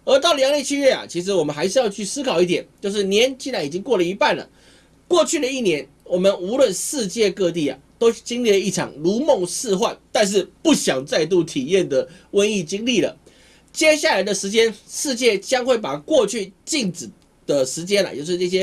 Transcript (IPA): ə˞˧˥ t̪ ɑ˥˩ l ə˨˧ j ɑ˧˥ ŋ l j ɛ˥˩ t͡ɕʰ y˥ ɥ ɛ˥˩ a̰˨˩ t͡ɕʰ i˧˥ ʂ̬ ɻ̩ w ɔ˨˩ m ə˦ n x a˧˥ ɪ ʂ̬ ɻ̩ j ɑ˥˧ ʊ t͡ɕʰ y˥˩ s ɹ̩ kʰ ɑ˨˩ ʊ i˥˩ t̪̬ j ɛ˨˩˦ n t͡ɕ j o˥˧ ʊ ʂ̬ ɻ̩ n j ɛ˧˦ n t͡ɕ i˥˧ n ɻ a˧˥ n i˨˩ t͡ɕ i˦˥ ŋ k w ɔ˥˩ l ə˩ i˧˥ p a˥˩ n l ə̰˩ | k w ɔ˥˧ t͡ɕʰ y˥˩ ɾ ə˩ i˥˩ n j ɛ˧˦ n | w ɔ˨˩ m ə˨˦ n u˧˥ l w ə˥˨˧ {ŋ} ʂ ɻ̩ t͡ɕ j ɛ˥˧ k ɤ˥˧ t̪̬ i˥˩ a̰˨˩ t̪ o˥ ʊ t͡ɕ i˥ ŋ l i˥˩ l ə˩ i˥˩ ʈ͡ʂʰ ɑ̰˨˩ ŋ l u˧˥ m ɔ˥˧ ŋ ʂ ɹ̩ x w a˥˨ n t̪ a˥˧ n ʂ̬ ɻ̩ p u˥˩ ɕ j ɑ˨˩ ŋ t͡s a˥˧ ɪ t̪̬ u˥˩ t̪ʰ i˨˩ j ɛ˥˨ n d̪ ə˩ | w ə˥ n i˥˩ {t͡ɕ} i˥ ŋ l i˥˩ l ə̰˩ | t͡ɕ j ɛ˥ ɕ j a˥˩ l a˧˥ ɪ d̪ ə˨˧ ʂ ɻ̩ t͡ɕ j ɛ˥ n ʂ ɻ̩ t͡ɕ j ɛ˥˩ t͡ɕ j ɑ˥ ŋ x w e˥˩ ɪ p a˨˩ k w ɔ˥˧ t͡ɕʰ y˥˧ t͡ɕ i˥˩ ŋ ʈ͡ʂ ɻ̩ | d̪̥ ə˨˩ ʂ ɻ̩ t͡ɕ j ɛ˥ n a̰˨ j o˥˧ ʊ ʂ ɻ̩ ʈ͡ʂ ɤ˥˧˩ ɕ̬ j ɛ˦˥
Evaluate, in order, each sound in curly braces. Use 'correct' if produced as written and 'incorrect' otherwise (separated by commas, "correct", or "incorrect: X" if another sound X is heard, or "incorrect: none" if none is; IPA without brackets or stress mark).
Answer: incorrect: n, correct